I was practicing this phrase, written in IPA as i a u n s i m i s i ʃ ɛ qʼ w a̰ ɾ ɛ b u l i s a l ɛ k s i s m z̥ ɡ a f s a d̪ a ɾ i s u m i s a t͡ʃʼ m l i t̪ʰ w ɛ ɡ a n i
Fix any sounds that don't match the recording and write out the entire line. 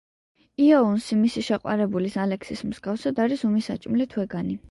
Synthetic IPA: i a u n s i m i s i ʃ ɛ qʼ w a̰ ɾ ɛ b u l i s a l ɛ k s i s m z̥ ɡ a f s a d̪ a ɾ i s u m i s a t͡ʃʼ m l i t̪ʰ w ɛ ɡ a n i